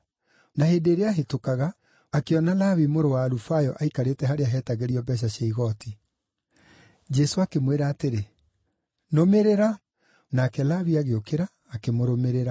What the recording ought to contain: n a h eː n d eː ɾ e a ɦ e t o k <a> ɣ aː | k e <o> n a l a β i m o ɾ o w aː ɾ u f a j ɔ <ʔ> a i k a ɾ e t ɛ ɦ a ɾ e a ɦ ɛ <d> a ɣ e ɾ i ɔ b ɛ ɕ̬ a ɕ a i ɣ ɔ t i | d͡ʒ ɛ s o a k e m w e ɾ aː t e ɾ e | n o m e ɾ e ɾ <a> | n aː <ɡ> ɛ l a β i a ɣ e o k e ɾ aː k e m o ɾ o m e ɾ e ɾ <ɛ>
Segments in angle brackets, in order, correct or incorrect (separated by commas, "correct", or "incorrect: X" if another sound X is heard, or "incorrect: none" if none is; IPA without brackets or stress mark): correct, incorrect: ɔ, correct, incorrect: t, correct, incorrect: k, incorrect: a